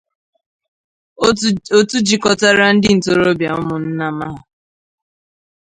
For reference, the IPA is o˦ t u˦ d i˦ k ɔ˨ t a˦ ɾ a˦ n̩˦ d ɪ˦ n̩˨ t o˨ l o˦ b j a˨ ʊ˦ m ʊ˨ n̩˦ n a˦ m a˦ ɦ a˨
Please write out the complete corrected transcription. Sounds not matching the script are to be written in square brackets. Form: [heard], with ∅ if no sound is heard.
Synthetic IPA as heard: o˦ t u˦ [d͡ʒ] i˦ k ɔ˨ t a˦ ɾ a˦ n̩˦ d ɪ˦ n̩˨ t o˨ [ɾ] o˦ b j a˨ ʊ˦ m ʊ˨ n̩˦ n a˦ m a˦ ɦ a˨